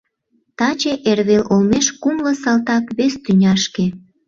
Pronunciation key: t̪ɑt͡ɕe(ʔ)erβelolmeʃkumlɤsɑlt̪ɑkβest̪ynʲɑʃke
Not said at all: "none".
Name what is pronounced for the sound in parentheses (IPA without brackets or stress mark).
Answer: ʔ